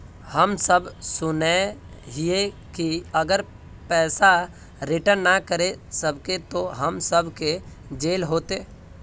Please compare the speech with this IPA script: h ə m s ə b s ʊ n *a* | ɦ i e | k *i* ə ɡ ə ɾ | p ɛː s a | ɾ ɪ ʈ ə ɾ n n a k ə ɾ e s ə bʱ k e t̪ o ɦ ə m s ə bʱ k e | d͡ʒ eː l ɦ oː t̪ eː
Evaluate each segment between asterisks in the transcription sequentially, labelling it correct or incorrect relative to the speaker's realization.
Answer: incorrect: e, correct

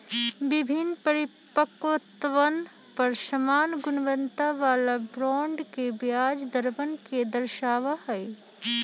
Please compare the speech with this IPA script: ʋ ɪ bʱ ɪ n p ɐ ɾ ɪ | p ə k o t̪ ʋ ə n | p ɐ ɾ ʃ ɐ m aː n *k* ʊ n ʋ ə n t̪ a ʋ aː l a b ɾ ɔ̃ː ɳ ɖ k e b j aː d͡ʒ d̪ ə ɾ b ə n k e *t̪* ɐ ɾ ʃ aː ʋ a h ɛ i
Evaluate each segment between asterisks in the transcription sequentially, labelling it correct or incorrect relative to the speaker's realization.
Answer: incorrect: ɡ, incorrect: d̪

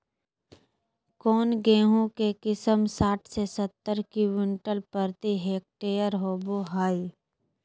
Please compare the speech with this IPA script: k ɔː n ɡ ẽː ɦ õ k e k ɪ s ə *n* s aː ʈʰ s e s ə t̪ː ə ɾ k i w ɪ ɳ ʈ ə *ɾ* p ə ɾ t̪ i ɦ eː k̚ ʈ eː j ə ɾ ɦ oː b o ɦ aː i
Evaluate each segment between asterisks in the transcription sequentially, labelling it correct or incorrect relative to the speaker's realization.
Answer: incorrect: m, incorrect: l

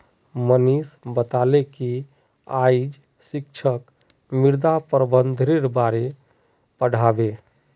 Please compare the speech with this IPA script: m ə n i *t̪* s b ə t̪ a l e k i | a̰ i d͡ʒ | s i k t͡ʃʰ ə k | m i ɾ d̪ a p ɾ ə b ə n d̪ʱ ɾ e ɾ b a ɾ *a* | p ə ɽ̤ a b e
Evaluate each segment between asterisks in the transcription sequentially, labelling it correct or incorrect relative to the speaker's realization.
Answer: incorrect: none, incorrect: e

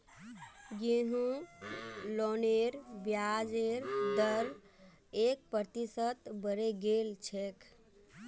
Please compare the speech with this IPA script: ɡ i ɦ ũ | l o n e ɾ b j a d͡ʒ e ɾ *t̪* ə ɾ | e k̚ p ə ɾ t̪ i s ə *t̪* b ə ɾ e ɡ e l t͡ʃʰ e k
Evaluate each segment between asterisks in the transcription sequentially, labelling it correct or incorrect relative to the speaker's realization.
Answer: incorrect: d̪, correct

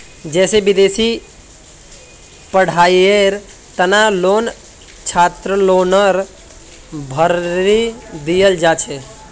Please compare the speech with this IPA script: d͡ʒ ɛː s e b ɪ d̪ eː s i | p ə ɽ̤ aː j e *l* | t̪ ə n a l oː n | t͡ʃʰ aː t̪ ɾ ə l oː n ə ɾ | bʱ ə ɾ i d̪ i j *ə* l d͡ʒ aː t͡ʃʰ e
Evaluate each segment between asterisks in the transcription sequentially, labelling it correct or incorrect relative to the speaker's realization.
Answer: incorrect: ɾ, correct

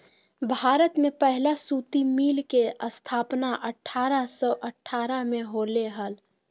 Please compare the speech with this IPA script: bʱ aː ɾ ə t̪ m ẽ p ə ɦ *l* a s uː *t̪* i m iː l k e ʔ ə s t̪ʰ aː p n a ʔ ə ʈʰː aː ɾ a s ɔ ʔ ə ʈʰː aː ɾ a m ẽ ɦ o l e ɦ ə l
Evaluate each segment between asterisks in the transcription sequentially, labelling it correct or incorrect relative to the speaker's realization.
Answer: correct, correct

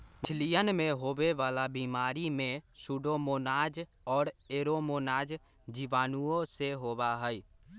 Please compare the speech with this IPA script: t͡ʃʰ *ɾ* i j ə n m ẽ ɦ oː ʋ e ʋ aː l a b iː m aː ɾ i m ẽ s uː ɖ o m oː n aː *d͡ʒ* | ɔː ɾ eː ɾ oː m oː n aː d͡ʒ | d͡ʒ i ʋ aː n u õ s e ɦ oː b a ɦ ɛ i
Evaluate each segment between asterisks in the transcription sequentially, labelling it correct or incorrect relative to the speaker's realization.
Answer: incorrect: l, correct

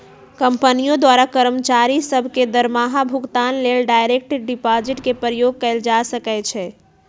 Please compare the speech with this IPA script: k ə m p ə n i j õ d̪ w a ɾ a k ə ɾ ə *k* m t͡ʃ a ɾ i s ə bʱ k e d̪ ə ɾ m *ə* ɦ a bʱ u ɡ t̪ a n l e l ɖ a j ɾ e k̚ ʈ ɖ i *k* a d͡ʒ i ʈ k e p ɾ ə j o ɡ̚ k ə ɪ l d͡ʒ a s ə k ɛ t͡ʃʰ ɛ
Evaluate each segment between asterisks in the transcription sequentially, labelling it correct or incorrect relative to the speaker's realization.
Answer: incorrect: none, incorrect: a, incorrect: p

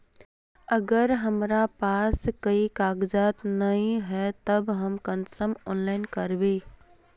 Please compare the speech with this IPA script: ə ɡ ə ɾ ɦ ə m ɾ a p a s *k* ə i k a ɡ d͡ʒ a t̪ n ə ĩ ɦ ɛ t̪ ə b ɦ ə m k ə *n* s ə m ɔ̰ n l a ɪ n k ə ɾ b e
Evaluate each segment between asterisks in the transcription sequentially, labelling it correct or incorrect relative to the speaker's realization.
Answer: correct, correct

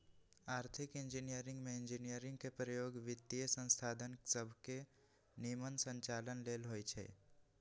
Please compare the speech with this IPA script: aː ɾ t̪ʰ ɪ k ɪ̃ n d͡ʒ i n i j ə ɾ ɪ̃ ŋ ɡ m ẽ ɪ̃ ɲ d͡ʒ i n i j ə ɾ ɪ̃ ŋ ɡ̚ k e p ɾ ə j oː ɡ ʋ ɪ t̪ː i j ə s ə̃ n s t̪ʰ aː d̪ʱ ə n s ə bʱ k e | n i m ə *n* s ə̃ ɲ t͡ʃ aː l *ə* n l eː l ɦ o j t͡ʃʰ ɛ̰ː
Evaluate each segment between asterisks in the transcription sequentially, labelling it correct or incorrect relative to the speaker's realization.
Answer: correct, correct

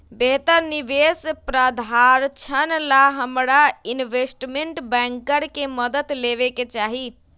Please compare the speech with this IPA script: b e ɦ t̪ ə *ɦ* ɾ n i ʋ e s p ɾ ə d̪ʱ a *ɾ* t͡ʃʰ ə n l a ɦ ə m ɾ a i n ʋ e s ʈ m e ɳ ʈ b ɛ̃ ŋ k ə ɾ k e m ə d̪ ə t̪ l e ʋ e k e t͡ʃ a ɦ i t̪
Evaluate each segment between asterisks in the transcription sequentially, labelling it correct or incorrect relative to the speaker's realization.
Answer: incorrect: none, correct

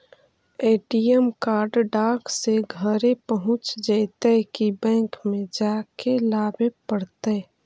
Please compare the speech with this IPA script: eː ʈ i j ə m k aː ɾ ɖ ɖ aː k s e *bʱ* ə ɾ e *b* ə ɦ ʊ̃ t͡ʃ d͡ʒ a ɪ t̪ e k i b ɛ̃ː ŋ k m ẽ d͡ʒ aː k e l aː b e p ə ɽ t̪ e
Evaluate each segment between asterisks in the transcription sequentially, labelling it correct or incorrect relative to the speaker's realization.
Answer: incorrect: ɡʱ, incorrect: p

